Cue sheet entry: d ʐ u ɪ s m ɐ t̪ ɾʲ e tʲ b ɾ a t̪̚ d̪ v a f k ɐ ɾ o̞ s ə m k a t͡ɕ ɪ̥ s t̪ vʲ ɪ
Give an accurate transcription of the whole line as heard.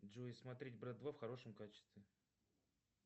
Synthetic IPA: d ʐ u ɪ s m ɐ t̪ ɾʲ e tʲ b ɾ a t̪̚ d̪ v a f x ɐ ɾ o̞ ʂ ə m k a t͡ɕ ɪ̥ s t̪ vʲ ɪ